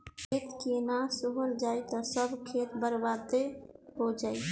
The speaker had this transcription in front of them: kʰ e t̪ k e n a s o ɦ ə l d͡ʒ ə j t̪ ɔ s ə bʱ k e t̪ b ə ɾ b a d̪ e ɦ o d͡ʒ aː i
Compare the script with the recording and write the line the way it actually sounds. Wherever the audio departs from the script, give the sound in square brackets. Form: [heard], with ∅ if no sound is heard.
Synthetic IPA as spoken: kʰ e t̪ k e n a s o ɦ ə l d͡ʒ [a] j t̪ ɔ s ə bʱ [kʰ] e t̪ b ə ɾ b a d̪ e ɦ o d͡ʒ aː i